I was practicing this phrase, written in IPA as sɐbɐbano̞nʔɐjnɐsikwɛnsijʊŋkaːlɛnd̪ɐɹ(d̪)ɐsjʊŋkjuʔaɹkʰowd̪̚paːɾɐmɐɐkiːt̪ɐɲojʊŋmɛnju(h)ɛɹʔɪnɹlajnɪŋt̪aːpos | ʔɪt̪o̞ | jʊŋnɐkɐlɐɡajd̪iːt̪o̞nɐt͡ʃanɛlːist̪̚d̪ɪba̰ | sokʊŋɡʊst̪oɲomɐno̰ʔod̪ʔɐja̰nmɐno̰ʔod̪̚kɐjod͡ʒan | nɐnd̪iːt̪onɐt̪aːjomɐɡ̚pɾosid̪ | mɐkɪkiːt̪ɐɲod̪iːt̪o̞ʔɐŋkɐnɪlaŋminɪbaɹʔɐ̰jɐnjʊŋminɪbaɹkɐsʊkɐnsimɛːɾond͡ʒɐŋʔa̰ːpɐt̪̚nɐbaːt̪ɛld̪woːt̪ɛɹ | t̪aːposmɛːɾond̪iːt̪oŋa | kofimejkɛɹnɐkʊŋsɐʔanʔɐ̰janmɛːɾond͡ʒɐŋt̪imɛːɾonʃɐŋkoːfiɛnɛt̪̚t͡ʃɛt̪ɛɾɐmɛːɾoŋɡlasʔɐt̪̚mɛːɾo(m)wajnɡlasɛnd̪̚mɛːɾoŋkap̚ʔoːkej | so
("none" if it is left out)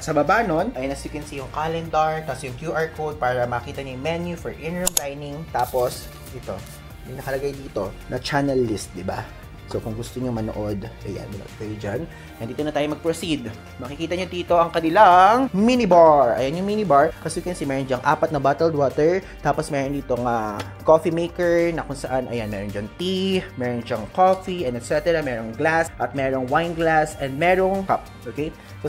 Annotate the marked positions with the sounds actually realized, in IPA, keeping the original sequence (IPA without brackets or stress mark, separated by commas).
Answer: t̪, f, ŋ